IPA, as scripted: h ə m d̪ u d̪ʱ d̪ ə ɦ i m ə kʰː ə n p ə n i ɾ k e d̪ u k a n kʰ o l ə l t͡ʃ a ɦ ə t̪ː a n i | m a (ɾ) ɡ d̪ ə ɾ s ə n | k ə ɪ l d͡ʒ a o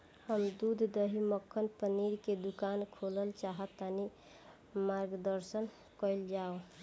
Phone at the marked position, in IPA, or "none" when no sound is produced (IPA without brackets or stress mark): ɾ